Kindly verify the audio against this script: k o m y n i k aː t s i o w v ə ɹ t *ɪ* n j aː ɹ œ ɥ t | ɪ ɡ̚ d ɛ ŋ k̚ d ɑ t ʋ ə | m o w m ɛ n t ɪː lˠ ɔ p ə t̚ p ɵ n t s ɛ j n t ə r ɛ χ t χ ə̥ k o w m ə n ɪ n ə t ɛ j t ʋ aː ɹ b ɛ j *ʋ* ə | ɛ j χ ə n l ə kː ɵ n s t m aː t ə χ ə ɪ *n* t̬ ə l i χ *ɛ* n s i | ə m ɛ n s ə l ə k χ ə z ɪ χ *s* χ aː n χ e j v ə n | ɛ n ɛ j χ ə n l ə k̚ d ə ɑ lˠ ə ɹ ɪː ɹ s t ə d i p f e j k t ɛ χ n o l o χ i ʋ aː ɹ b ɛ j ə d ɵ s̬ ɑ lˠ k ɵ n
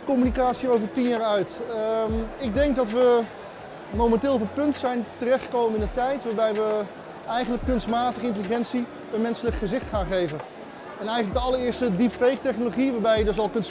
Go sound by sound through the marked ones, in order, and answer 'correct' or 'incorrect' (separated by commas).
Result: incorrect, correct, correct, correct, incorrect